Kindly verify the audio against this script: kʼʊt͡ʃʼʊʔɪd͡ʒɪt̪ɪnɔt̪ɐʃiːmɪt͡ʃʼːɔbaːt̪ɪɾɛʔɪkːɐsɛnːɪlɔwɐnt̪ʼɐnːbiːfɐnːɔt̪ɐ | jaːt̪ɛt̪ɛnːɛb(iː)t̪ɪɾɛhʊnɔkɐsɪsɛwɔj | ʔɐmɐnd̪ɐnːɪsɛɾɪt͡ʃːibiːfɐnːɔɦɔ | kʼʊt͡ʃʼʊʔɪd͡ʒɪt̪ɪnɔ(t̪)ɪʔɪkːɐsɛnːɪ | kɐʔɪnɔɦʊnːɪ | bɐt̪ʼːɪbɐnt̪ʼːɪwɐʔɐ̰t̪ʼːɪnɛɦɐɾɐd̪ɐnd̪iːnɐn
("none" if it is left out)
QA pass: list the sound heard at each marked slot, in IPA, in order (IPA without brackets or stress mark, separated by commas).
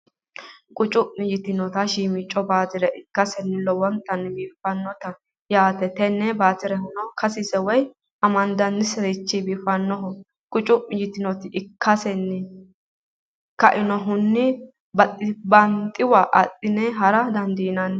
aː, t̪